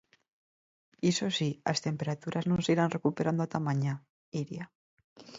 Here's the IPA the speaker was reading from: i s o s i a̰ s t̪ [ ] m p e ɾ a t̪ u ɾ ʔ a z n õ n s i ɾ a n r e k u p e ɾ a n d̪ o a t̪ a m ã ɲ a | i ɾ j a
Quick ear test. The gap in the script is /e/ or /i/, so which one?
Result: e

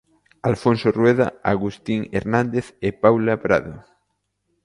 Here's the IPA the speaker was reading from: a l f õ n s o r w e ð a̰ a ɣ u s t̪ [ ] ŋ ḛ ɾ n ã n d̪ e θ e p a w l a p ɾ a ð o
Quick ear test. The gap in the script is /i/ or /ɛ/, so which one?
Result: i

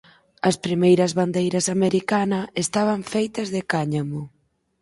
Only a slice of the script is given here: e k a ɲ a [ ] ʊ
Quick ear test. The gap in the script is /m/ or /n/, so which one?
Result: m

